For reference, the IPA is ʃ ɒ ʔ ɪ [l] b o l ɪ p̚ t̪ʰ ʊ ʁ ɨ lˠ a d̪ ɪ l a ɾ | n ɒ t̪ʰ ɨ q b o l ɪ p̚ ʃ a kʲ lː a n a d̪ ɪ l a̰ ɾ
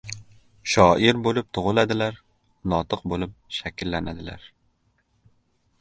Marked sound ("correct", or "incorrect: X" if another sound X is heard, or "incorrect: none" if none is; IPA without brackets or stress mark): incorrect: ɾ